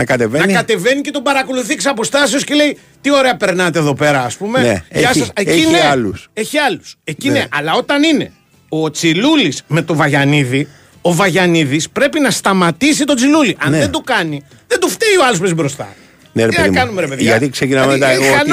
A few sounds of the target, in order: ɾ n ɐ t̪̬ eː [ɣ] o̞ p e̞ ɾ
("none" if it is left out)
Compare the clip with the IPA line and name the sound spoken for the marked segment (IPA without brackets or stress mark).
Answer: ð